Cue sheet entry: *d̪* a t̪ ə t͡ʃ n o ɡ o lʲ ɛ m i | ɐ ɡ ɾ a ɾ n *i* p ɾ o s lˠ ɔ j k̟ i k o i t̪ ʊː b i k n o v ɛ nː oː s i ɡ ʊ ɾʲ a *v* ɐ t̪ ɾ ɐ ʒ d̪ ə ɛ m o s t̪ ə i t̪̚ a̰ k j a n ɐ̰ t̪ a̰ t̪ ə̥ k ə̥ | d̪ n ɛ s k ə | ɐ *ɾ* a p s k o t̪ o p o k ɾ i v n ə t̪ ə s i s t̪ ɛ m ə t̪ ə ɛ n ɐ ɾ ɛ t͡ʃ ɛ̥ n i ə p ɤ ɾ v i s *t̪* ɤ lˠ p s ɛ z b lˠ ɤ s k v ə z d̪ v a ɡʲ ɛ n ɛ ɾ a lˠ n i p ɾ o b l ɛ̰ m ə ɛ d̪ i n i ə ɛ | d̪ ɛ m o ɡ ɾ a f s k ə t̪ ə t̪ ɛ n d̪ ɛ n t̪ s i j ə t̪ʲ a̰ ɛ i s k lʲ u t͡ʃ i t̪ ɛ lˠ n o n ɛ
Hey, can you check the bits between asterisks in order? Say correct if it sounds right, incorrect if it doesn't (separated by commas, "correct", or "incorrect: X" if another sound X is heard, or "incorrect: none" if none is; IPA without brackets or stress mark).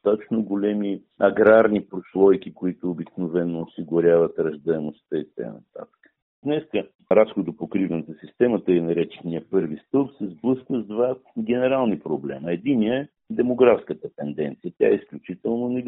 incorrect: t̪, correct, correct, correct, correct